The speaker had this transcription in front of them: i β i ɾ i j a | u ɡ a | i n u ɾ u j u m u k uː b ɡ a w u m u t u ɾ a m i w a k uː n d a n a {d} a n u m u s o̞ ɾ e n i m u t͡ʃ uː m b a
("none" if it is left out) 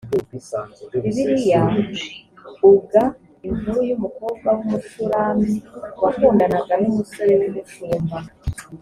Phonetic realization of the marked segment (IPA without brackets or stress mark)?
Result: ɡ